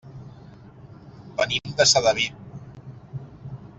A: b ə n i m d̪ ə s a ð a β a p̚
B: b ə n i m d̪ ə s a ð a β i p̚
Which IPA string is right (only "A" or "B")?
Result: B